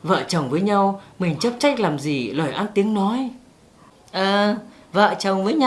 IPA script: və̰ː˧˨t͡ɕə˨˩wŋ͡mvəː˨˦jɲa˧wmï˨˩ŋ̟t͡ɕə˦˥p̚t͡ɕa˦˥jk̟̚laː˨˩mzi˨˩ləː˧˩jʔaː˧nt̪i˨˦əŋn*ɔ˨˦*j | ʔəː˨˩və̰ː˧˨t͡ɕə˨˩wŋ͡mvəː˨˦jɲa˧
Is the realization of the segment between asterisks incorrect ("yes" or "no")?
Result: no